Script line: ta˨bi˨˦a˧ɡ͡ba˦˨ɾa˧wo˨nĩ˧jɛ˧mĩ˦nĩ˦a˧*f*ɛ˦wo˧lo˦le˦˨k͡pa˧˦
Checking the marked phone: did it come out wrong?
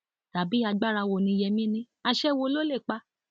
yes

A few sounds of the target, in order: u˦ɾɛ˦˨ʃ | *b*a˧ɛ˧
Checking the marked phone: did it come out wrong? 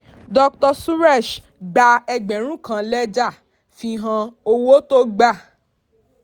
yes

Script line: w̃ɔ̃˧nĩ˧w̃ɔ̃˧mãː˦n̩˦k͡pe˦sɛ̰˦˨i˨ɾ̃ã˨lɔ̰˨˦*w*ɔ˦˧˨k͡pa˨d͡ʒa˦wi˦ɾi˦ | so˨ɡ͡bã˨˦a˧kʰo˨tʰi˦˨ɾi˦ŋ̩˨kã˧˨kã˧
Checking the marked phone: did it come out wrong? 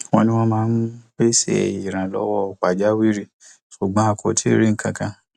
no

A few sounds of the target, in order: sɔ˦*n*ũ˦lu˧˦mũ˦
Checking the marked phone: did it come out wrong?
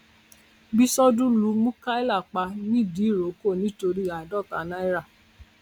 yes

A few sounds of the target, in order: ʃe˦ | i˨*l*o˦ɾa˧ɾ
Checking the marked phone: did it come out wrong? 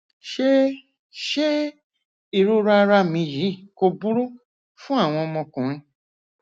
yes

